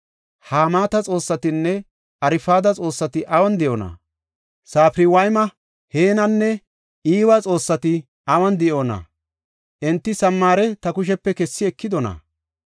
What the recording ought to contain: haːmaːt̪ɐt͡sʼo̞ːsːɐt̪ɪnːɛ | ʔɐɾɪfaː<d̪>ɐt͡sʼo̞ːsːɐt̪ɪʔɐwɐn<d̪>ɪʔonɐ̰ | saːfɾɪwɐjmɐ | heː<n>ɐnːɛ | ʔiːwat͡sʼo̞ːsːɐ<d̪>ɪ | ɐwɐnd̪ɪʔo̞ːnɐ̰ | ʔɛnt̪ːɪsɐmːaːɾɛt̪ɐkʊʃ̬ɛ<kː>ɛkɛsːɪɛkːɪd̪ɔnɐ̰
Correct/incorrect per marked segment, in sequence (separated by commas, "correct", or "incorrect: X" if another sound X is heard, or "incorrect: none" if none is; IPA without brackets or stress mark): correct, correct, correct, incorrect: t̪, incorrect: pː